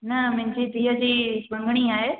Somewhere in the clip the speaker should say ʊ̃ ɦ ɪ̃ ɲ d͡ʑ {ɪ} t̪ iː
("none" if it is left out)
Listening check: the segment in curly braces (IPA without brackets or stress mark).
i